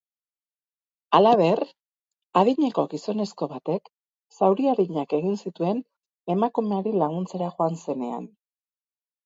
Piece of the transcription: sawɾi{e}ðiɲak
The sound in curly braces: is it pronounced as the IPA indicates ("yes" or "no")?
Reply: no